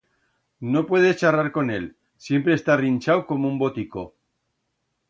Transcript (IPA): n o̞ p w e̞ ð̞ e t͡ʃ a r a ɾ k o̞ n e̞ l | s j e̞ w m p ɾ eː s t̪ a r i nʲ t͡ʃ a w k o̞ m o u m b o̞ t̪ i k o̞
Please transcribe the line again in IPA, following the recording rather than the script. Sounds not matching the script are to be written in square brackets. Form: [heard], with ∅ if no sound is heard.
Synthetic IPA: n o̞ p w e̞ ð̞ e t͡ʃ a r a ɾ k o̞ n e̞ l | s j e̞ [∅] m p ɾ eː s t̪ a r i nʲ t͡ʃ a w k o̞ m o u m b o̞ t̪ i k o̞